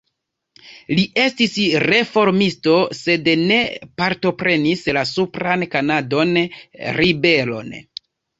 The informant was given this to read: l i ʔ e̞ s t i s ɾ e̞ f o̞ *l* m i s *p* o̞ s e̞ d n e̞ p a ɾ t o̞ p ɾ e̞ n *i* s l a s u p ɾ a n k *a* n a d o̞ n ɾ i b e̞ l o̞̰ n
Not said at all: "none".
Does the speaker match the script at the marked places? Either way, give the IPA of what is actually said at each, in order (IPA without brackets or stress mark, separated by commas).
ɾ, t, i, a